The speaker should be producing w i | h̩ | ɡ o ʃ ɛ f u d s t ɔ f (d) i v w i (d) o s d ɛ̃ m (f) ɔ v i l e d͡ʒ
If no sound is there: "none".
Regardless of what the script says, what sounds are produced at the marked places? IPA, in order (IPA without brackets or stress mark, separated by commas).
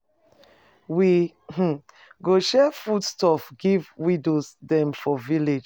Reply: ɡ, d, f